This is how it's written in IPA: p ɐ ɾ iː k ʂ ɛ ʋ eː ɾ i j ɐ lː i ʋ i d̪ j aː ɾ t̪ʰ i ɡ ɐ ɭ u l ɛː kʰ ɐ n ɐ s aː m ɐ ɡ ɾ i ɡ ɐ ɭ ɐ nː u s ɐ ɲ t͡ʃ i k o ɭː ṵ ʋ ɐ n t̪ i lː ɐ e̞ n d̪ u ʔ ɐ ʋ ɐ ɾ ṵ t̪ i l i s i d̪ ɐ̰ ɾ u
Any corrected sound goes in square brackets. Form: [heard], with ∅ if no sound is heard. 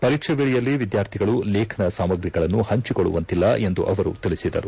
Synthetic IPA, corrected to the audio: p ɐ ɾ iː k ʂ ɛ ʋ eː [ɭ] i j ɐ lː i ʋ i d̪ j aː ɾ t̪ʰ i ɡ ɐ ɭ u l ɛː kʰ ɐ n ɐ s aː m ɐ ɡ ɾ i ɡ ɐ ɭ ɐ nː u [h] ɐ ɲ t͡ʃ i k o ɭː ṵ ʋ ɐ n t̪ i lː ɐ e̞ n d̪ u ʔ ɐ ʋ ɐ ɾ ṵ t̪ i [ɭ] i s i d̪ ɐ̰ ɾ u